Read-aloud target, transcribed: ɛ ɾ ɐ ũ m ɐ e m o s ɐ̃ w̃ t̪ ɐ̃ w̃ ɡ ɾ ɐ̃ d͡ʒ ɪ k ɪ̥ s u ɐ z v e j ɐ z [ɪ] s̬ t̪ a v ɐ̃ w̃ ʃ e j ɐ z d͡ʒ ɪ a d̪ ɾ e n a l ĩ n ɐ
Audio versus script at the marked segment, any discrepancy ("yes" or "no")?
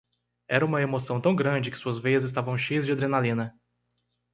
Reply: no